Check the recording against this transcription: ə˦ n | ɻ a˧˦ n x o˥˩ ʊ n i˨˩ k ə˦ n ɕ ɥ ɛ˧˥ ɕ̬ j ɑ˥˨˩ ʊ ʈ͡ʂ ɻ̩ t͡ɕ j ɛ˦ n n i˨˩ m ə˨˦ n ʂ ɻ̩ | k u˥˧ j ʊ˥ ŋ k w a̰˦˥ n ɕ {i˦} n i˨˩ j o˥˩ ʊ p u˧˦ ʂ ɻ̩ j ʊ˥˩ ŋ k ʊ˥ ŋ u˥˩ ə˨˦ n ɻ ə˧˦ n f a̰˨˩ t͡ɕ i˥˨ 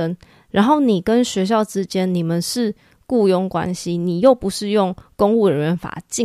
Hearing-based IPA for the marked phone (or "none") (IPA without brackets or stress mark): i˦